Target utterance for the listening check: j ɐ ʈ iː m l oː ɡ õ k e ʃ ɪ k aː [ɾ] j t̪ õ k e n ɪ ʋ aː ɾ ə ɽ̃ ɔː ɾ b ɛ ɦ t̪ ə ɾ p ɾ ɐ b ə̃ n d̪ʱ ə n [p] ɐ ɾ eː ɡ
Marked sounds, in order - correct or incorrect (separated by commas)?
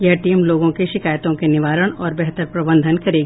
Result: incorrect, incorrect